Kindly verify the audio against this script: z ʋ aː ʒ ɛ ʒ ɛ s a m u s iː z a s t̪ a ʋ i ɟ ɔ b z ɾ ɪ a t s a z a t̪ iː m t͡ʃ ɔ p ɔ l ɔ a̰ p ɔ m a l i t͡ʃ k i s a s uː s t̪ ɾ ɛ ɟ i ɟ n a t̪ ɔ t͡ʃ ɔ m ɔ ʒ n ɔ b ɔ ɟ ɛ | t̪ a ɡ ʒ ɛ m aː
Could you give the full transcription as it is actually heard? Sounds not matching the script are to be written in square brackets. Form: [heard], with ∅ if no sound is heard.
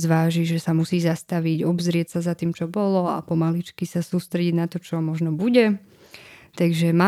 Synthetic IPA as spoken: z ʋ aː ʒ [i] ʒ ɛ s a m u s iː z a s t̪ a ʋ i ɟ ɔ b z ɾ ɪ [ɛ] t s a z a t̪ iː m t͡ʃ ɔ [b] ɔ l ɔ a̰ p ɔ m a l i t͡ʃ k i s a s uː s t̪ ɾ ɛ ɟ i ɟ n a t̪ ɔ t͡ʃ ɔ m ɔ ʒ n ɔ b [u] ɟ ɛ | t̪ a ɡ ʒ ɛ m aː